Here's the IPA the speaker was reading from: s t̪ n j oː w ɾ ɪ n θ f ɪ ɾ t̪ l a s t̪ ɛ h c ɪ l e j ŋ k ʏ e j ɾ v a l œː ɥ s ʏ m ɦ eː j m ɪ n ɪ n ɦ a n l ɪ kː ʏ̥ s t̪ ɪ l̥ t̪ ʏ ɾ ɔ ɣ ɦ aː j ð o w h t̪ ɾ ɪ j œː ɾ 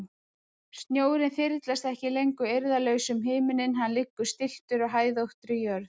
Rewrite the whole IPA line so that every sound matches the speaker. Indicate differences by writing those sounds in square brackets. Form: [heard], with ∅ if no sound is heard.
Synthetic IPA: s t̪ n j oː w ɾ ɪ n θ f ɪ ɾ t̪ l a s t̪ ɛ h c ɪ l e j ŋ k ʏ e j ɾ [ð] a l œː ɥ s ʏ m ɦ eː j m ɪ n ɪ n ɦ a n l ɪ kː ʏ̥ s t̪ ɪ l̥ t̪ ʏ ɾ ɔ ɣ ɦ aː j ð o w h t̪ ɾ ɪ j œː ɾ